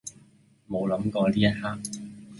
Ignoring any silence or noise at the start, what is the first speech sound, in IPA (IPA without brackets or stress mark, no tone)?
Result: m